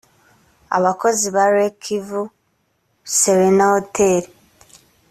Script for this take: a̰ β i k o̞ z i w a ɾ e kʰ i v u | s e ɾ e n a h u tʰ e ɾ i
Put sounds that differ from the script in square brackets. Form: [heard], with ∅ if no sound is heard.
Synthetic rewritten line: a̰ β [a] k o̞ z i [β] a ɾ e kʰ i v u | s e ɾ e n a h [o] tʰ e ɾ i